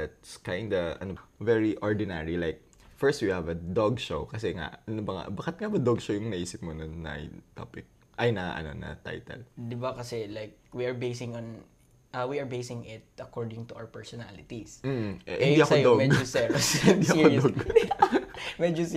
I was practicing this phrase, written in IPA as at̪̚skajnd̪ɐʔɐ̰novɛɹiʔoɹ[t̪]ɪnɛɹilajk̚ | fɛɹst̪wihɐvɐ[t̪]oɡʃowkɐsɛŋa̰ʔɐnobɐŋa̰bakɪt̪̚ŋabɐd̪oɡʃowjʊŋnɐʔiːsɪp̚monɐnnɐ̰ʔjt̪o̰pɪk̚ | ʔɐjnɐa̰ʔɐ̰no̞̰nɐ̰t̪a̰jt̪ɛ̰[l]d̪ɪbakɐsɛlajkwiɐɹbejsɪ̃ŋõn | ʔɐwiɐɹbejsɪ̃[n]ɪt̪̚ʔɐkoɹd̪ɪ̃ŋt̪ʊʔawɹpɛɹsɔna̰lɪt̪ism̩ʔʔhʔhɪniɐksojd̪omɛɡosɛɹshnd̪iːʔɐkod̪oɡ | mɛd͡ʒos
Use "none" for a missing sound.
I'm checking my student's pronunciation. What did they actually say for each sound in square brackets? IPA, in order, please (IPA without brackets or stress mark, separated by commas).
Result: d̪, d̪, l, ŋ